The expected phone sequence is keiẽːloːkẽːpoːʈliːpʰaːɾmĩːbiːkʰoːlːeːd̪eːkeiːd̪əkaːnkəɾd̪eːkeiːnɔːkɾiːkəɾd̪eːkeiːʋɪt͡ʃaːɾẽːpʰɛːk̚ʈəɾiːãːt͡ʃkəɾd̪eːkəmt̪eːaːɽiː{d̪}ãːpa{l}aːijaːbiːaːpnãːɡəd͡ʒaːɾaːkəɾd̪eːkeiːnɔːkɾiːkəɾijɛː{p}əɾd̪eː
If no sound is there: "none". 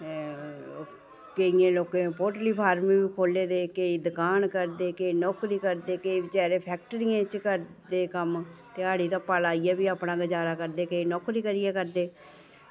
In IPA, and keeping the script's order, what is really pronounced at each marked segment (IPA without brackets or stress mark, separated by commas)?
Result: t̪, l, k